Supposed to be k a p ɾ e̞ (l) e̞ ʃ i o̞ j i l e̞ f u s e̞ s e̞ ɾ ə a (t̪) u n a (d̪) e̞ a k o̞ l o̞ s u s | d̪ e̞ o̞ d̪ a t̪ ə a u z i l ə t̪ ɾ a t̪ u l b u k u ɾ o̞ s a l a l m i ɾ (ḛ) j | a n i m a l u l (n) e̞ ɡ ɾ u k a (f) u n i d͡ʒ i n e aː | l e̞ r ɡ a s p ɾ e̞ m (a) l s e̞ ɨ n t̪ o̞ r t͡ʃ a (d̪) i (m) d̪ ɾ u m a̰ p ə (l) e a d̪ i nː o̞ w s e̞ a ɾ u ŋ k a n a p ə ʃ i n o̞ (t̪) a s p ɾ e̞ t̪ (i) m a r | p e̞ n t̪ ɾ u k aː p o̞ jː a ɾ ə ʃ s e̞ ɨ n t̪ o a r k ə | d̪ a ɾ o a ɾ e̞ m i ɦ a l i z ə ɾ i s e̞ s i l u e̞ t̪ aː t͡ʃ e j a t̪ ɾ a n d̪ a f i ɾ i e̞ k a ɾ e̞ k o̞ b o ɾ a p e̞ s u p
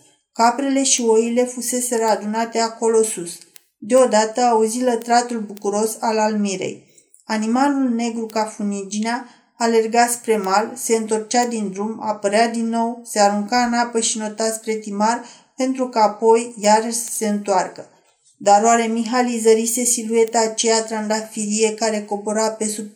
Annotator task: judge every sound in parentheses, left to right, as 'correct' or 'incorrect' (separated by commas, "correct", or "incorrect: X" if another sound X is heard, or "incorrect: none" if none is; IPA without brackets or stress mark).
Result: correct, incorrect: d̪, incorrect: t̪, correct, correct, correct, correct, correct, incorrect: n, incorrect: ɾ, correct, correct